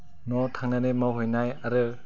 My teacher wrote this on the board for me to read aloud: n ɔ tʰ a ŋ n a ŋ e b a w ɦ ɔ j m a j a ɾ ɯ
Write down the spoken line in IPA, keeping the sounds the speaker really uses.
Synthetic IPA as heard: n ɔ tʰ a ŋ n a n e m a w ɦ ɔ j n a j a ɾ ɯ